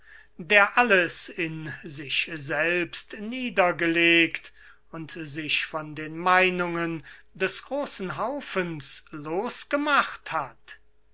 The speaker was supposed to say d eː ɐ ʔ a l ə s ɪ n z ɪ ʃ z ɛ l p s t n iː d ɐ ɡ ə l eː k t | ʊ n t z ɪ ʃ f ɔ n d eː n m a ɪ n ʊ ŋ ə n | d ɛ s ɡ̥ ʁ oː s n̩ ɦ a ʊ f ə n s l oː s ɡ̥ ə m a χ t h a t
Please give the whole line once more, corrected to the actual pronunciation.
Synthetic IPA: d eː ɐ ʔ a l ə s ɪ n z ɪ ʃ z ɛ l p s t n iː d ɐ ɡ ə l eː k t | ʊ n t z ɪ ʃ f ɔ n d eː n m a ɪ n ʊ ŋ ə n | d ɛ s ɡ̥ ʁ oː s n̩ ɦ a ʊ f ə n s l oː s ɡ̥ ə m a χ t h a t